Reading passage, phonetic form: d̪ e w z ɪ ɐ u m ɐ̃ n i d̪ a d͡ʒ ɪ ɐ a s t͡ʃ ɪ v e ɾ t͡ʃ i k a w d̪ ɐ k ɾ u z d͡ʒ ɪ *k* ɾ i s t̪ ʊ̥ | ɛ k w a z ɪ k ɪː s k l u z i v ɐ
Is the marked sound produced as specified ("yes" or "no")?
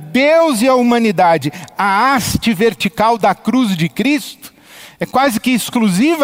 yes